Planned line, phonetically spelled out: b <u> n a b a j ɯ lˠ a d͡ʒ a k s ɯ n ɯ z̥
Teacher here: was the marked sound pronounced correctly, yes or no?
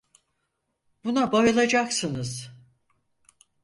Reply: yes